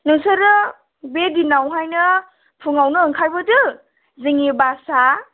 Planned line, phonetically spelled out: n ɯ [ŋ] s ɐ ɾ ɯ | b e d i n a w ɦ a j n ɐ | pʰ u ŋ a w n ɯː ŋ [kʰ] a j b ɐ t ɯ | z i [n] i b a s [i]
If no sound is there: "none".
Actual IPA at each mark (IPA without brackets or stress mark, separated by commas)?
ŋ, kʰ, ŋ, a